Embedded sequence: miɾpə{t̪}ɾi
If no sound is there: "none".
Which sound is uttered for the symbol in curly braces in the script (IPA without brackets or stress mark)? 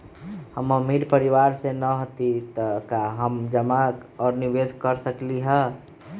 none